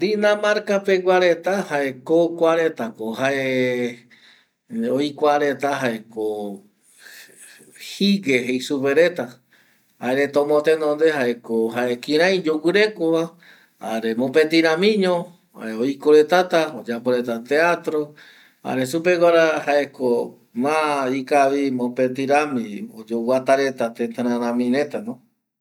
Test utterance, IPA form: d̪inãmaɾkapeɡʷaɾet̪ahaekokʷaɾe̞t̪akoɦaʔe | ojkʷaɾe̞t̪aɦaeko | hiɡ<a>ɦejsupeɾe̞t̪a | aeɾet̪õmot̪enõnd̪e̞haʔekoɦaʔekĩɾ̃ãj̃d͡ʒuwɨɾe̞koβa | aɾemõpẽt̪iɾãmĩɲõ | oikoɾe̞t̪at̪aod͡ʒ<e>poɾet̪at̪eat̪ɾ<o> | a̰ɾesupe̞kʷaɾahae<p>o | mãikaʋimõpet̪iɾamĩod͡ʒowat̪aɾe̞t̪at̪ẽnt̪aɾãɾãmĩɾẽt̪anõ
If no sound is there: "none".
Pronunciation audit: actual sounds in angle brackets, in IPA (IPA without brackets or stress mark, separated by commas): e, a, o, k